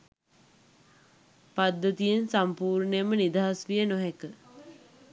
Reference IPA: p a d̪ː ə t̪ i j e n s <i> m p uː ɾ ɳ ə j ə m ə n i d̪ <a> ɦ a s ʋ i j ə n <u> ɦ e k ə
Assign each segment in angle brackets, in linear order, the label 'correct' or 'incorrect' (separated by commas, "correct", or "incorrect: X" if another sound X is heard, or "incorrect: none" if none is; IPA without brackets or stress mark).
incorrect: a, correct, incorrect: o